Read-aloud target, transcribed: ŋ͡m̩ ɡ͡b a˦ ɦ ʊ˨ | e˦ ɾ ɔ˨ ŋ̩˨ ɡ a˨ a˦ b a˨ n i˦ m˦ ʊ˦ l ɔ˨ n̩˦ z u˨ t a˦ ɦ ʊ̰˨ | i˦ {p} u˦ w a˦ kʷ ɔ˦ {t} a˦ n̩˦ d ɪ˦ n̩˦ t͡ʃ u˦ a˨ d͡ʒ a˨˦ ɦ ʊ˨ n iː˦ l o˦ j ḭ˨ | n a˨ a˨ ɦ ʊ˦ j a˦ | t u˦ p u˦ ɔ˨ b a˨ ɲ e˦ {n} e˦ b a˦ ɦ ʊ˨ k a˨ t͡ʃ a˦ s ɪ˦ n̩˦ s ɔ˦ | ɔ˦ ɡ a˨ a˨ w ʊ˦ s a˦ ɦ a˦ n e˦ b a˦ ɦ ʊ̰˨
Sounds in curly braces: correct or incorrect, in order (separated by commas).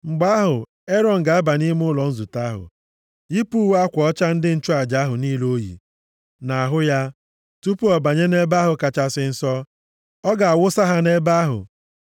correct, incorrect, correct